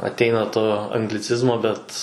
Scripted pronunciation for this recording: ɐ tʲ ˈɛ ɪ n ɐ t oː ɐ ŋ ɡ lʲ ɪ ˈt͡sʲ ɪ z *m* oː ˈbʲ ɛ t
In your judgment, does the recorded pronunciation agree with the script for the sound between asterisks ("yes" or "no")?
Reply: yes